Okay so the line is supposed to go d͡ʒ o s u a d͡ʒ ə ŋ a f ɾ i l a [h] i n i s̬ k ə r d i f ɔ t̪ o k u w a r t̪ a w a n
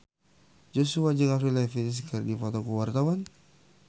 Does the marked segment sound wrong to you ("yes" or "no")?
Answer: yes